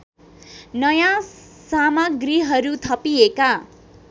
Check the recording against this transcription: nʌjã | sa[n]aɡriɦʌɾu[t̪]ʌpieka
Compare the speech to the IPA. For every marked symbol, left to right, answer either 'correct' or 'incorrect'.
incorrect: m, incorrect: t̪ʰ

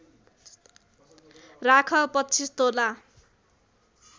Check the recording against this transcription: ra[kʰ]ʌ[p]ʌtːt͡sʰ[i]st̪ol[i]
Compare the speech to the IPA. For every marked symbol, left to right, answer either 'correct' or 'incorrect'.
correct, correct, correct, incorrect: a

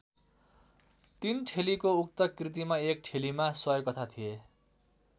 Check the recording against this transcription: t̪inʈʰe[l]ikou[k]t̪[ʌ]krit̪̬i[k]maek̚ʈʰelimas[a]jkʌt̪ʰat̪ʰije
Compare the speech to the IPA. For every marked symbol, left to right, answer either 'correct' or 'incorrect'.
correct, correct, correct, incorrect: none, incorrect: ʌ

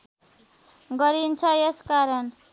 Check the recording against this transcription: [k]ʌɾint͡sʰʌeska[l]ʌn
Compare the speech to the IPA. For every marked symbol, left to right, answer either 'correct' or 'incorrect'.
incorrect: ɡ, incorrect: ɾ

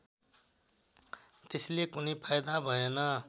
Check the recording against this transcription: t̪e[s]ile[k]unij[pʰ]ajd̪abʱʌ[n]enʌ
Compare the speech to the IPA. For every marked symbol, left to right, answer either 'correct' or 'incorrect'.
correct, correct, correct, incorrect: none

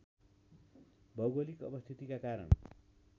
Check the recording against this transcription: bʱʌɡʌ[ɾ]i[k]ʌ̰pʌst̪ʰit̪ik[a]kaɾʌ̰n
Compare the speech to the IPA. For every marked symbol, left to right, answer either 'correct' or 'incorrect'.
incorrect: l, correct, correct

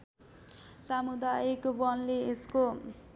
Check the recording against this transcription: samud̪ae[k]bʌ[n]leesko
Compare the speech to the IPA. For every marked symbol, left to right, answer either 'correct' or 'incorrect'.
correct, correct

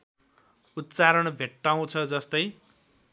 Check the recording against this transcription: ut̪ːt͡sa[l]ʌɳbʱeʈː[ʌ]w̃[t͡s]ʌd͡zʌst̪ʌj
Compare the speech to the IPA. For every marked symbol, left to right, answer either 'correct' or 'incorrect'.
incorrect: ɾ, incorrect: a, incorrect: t͡sʰ

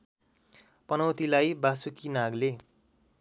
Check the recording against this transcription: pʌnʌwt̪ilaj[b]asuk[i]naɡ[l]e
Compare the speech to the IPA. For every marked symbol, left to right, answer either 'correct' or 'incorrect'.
correct, correct, correct

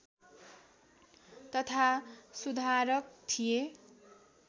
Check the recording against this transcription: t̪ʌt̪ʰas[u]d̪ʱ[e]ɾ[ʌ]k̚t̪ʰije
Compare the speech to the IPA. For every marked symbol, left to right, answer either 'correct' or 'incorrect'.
correct, incorrect: a, correct

